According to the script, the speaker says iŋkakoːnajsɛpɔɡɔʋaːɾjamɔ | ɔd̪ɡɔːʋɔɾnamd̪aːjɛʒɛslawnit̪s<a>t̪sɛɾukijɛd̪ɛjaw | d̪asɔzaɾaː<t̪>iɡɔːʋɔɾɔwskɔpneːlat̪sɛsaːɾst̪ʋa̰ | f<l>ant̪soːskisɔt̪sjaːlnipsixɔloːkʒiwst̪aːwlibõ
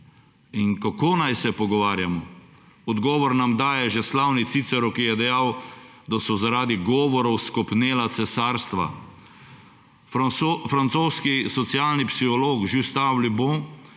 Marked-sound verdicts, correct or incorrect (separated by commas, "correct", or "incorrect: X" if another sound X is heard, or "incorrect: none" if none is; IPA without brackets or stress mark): incorrect: i, incorrect: d̪, incorrect: ɾ